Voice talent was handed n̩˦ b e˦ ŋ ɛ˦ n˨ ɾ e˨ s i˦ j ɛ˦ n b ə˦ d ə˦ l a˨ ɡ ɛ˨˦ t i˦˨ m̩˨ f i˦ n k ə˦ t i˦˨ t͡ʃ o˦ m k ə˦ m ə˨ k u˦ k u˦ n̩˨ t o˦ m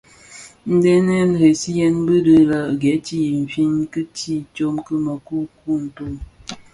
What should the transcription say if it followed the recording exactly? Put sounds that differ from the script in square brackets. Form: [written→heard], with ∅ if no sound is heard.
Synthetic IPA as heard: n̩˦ [b→d] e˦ [ŋ→n] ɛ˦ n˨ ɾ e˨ s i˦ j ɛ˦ n b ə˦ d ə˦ l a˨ ɡ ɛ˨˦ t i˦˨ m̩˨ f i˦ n k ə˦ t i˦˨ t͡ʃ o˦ m k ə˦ m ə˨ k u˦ k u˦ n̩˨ t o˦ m